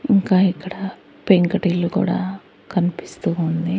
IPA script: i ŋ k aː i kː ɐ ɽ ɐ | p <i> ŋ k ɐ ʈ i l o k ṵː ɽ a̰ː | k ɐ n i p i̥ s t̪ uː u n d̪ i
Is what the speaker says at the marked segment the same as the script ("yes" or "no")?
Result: no